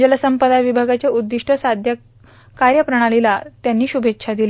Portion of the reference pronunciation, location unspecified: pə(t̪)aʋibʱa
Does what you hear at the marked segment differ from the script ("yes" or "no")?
yes